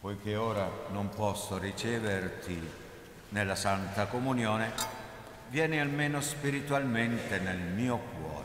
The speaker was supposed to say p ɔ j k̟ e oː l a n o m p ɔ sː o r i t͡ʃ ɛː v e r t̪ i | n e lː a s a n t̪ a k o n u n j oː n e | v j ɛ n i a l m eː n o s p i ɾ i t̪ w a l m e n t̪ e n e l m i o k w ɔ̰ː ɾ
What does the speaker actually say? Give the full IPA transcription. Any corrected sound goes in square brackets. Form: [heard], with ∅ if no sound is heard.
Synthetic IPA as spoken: p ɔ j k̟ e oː [ɾ] a n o m p ɔ sː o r i t͡ʃ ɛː v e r t̪ i | n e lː a s a n t̪ a k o [m] u n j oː n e | v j [ɛː] n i a l m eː n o s p i ɾ i t̪ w a l m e n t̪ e n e l m [iː] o k w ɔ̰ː ɾ